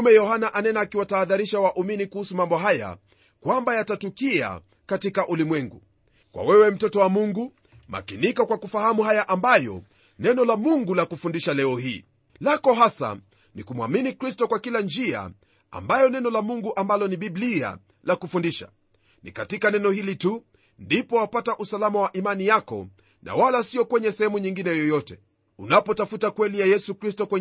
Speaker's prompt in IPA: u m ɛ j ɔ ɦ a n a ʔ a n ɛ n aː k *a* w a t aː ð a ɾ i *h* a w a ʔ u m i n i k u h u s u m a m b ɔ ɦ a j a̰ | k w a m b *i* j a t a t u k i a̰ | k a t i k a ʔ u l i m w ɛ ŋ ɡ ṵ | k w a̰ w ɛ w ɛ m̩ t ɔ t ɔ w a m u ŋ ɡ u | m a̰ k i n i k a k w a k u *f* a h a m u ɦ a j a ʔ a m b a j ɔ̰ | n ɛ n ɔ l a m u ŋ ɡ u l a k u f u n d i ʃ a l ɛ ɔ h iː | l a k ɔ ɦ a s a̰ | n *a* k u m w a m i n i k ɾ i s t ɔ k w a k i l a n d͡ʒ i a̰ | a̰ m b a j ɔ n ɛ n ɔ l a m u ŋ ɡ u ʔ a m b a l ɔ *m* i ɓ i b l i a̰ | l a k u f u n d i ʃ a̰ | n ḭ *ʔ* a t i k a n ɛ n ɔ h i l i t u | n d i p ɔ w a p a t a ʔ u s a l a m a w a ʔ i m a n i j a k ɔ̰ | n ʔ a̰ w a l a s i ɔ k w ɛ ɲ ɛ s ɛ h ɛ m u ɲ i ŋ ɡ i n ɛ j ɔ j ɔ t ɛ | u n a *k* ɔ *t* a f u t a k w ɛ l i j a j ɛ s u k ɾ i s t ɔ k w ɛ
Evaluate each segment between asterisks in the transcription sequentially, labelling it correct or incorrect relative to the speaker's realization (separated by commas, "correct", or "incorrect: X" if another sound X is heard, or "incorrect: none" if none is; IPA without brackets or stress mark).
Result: incorrect: i, incorrect: ʃ, incorrect: a, correct, incorrect: i, incorrect: n, incorrect: k, incorrect: p, correct